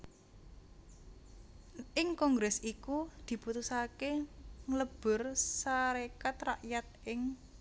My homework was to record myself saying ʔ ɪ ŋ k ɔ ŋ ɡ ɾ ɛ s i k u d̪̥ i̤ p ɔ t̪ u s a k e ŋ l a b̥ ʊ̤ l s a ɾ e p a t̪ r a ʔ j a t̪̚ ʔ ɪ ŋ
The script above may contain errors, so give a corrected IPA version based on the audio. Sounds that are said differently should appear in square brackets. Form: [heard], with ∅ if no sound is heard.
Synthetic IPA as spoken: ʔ ɪ ŋ k ɔ ŋ ɡ ɾ ɛ s i k u d̪̥ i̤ p [u] t̪ u s a k e ŋ l [ə] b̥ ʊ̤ [r] s a ɾ e [k] a t̪ r a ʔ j a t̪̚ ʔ ɪ ŋ